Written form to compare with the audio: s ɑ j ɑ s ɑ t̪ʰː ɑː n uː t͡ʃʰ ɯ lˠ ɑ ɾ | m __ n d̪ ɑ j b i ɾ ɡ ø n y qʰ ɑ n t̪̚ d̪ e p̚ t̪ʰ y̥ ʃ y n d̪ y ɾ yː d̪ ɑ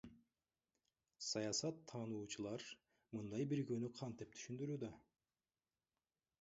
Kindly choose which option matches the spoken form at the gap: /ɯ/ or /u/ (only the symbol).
ɯ